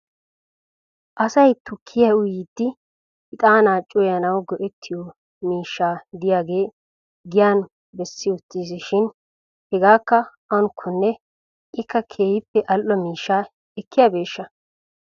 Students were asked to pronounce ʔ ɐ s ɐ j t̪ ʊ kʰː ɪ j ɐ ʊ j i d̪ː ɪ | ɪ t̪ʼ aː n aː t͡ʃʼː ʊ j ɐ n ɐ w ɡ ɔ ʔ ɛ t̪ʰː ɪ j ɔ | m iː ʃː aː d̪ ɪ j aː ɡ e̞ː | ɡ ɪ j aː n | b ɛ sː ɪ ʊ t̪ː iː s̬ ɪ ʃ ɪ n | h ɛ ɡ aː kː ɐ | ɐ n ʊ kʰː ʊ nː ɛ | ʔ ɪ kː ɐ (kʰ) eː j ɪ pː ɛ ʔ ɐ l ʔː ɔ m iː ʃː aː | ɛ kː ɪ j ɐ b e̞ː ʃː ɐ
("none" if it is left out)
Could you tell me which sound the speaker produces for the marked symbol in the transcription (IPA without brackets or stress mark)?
kʰ